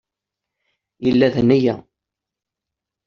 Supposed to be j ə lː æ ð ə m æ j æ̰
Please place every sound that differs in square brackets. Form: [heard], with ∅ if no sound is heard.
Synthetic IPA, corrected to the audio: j ə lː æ ð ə [n] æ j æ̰